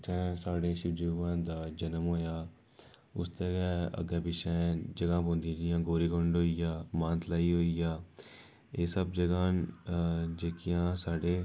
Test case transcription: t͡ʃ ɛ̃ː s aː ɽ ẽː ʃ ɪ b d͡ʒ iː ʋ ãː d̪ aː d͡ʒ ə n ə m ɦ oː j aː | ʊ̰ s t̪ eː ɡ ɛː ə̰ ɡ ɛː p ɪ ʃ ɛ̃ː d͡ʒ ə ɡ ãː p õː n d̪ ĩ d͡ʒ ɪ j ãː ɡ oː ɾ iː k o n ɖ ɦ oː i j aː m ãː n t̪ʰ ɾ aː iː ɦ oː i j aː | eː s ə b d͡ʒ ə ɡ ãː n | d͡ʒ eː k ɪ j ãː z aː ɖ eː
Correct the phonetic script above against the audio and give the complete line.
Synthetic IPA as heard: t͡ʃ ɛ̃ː s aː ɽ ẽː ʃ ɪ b d͡ʒ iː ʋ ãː d̪ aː d͡ʒ ə n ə m ɦ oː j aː | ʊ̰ s t̪ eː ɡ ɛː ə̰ ɡ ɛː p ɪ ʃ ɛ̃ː d͡ʒ ə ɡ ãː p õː n d̪ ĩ d͡ʒ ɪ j ãː ɡ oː ɾ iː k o ɳ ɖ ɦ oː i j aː m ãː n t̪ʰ l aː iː ɦ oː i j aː | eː s ə b d͡ʒ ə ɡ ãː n | d͡ʒ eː k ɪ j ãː s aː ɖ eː